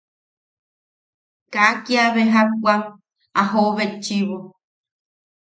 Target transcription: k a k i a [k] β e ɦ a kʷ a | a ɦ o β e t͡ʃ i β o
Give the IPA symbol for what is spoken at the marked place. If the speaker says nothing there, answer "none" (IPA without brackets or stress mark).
none